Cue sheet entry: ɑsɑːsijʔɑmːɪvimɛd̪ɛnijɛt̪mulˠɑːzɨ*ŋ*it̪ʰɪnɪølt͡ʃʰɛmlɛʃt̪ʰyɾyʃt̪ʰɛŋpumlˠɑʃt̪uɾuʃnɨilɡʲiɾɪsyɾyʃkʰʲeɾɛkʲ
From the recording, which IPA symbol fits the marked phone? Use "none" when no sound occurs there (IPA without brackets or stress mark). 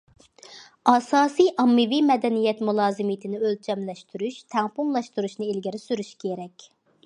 m